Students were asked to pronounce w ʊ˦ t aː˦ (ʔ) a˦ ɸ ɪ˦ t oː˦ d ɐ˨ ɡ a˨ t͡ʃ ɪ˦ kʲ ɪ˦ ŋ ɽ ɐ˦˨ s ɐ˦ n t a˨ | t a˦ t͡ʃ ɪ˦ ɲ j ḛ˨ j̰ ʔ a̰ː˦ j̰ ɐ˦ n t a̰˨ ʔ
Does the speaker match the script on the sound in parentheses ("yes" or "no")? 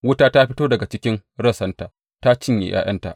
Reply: no